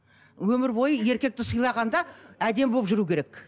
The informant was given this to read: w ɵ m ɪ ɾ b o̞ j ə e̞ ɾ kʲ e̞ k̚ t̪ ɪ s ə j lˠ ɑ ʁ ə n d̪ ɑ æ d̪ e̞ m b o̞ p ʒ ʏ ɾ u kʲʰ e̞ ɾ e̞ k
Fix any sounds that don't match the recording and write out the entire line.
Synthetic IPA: w ɵ m ɪ ɾ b o̞ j ə e̞ ɾ kʲ e̞ k̚ t̪ ɪ s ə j lˠ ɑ ʁ ɑ n d̪ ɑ æ d̪ e̞ m b o̞ p ʒ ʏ ɾ u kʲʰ e̞ ɾ e̞ k